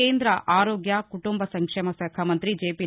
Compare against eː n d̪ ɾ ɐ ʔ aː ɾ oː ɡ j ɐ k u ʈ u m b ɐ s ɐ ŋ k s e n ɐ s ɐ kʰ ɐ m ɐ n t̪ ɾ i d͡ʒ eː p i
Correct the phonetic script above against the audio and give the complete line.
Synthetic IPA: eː n d̪ ɾ ɐ ʔ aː ɾ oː ɡ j ɐ k u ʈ u m b ɐ s ɐ ŋ k ʂ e m ɐ s ɐ kʰ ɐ m ɐ n t̪ ɾ i d͡ʒ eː p i